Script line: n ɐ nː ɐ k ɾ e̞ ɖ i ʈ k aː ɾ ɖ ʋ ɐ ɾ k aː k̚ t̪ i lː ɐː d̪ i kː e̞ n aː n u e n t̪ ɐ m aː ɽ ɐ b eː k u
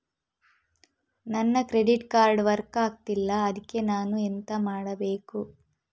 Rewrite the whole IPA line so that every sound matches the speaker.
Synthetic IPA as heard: n ɐ nː ɐ k ɾ e̞ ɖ i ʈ k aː ɾ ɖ ʋ ɐ ɾ k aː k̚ t̪ i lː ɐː d̪ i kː e̞ n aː n u e n t̪ ɐ m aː ɽ ɐ b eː k u